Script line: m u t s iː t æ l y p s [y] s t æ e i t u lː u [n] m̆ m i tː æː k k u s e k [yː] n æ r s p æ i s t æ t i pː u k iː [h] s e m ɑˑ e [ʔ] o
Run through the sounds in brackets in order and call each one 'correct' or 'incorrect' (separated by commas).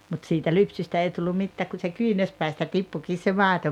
correct, incorrect, correct, incorrect, incorrect